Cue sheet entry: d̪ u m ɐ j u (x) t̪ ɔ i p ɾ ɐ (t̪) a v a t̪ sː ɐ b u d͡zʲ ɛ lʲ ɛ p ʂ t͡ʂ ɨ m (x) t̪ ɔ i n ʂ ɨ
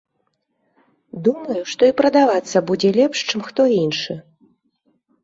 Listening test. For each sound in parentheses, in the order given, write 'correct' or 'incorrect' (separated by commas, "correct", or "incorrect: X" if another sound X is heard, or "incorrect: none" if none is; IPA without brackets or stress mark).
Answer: incorrect: ʂ, incorrect: d̪, correct